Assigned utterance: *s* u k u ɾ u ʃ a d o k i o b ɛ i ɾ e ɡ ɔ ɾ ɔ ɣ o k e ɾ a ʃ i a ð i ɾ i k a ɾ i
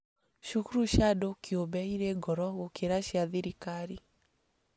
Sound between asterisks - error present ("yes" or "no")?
yes